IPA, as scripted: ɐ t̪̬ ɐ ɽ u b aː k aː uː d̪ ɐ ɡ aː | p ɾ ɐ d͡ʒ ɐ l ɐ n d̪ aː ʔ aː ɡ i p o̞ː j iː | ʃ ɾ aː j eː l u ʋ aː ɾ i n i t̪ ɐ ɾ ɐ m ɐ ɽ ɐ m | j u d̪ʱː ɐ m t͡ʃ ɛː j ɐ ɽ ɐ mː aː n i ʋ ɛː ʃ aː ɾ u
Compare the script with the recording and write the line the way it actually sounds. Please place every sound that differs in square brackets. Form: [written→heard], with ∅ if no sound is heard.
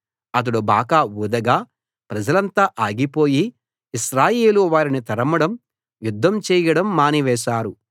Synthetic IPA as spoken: ɐ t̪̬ ɐ ɽ u b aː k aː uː d̪ ɐ ɡ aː | p ɾ ɐ d͡ʒ ɐ l ɐ n [d̪→t̪] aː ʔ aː ɡ i p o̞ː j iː | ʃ ɾ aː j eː l u ʋ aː ɾ i n i t̪ ɐ ɾ ɐ m ɐ ɽ ɐ m | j u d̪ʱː ɐ m t͡ʃ ɛː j ɐ ɽ ɐ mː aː n i ʋ ɛː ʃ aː ɾ u